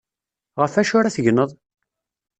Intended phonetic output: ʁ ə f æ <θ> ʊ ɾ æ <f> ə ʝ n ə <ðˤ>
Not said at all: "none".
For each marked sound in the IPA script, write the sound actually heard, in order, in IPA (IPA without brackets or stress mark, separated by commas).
ʃ, θ, ðˤ